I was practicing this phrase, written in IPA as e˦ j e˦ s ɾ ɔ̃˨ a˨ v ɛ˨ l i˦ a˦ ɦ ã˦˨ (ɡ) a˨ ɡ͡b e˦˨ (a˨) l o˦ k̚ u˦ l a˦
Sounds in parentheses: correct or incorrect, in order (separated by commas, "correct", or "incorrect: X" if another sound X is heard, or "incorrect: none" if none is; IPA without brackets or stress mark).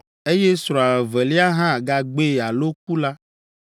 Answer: correct, correct